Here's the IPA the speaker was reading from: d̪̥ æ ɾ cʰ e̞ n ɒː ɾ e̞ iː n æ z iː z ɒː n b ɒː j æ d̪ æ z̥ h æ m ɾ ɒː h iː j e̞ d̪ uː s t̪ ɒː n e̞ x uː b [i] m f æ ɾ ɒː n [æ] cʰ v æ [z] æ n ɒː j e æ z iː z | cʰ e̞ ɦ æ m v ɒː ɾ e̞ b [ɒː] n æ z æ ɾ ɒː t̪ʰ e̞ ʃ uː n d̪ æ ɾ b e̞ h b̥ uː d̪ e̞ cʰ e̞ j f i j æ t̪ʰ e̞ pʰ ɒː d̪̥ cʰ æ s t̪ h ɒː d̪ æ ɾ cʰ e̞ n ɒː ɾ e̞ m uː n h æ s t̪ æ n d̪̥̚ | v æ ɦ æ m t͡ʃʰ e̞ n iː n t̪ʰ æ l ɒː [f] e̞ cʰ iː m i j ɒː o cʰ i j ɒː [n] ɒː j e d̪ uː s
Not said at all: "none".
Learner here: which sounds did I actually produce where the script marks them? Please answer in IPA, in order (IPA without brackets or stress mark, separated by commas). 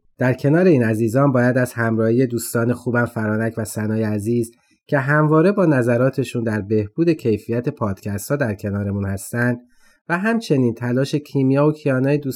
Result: æ, æ, s, ɒː, ʃ, n